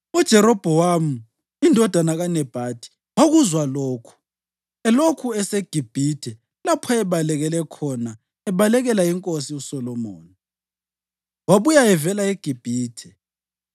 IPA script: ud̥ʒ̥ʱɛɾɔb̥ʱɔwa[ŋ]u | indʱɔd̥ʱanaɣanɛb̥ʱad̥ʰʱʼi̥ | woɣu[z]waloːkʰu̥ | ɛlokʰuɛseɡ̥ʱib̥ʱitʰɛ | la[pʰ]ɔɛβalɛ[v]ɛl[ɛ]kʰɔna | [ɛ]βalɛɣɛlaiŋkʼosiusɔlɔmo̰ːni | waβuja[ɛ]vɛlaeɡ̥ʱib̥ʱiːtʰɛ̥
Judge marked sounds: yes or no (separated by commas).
no, yes, yes, no, yes, yes, yes